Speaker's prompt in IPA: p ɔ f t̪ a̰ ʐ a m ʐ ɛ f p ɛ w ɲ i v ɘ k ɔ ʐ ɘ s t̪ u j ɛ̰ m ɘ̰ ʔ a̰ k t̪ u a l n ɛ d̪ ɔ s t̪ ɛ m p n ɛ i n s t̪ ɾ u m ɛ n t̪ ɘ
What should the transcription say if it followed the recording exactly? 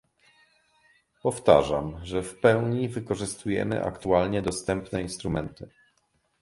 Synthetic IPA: p ɔ f t̪ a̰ ʐ a m ʐ ɛ f p ɛ w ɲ i v ɘ k ɔ ʐ ɘ s t̪ u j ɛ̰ m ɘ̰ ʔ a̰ k t̪ u a l ɲ ɛ d̪ ɔ s t̪ ɛ m p n ɛ i n s t̪ ɾ u m ɛ n t̪ ɘ

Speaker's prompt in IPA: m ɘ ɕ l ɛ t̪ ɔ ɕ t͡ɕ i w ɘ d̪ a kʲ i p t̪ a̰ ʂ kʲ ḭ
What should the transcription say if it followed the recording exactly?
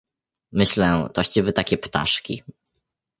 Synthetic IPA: m ɘ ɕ l ɛ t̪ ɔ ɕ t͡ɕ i v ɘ t̪ a kʲ ɛ p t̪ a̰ ʂ kʲ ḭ

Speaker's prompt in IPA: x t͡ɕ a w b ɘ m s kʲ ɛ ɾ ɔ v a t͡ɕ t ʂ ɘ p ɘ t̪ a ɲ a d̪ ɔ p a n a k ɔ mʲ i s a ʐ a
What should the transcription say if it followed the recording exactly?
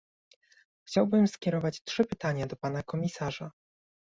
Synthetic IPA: x t͡ɕ a w b ɘ m s kʲ ɛ ɾ ɔ v a t͡ɕ t ʂ ɘ p ɘ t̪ a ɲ a d̪ ɔ p a n a k ɔ mʲ i s a ʐ a

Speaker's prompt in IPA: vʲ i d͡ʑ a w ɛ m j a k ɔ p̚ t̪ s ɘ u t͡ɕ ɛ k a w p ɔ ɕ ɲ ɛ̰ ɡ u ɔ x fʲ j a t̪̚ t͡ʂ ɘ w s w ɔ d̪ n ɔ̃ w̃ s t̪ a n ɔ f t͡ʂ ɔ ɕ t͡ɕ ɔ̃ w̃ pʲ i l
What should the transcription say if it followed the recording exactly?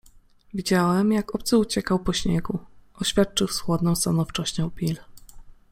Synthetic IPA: vʲ i d͡ʑ a w ɛ m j a k ɔ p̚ t̪ s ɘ u t͡ɕ ɛ k a w p ɔ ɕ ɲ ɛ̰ ɡ u ɔ ɕ fʲ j a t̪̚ t͡ʂ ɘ w s w ɔ d̪ n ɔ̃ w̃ s t̪ a n ɔ f t͡ʂ ɔ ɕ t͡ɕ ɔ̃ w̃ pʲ i l

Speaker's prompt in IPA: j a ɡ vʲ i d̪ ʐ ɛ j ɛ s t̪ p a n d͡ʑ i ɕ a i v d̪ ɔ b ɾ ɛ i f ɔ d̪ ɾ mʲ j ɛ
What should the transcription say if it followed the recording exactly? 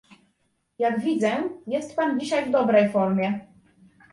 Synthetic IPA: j a ɡ vʲ i d̪ z ɛ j ɛ s t̪ p a n d͡ʑ i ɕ a j v d̪ ɔ b ɾ ɛ j f ɔ ɾ mʲ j ɛ

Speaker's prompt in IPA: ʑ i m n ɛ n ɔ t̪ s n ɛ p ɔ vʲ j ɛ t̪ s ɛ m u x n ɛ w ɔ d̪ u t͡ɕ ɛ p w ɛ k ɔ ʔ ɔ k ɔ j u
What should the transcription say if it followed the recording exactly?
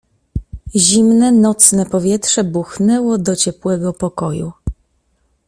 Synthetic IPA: ʑ i m n ɛ n ɔ t̪ s n ɛ p ɔ vʲ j ɛ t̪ ʂ ɛ b u x n ɛ w ɔ d̪ ɔ t͡ɕ ɛ p w ɛ ɡ ɔ p ɔ k ɔ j u

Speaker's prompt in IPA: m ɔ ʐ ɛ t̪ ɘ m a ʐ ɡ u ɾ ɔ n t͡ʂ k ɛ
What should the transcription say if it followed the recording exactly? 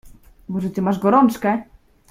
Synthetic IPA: m ɔ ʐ ɛ t̪ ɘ m a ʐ ɡ ɔ ɾ ɔ n t͡ʂ k ɛ

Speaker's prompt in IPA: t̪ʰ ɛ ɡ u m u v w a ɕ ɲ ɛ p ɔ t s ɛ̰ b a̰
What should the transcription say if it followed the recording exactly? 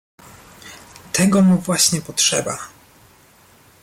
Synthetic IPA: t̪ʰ ɛ ɡ ɔ m u v w a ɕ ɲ ɛ p ɔ t ʂ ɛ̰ b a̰

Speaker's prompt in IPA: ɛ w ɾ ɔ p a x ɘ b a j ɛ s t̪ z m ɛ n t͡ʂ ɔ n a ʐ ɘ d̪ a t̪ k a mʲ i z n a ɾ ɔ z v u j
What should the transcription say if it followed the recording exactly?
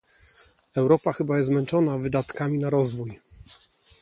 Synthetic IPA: ɛ w ɾ ɔ p a x ɘ b a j ɛ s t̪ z m ɛ n t͡ʂ ɔ n a v ɘ d̪ a t̪ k a mʲ i n a ɾ ɔ z v u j

